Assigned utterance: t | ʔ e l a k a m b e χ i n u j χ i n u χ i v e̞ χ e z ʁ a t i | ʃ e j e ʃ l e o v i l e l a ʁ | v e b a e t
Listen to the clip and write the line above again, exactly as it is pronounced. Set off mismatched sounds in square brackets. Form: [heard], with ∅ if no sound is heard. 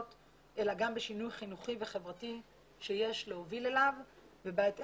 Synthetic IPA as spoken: t | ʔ e l a [ɡ] a m b e [ʃ] i n u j χ i n u χ i v e̞ χ e [v] ʁ a t i | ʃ e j e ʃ l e o v i l e l a [v] | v e b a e t